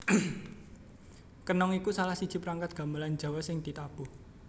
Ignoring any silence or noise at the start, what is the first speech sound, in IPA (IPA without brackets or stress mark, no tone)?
k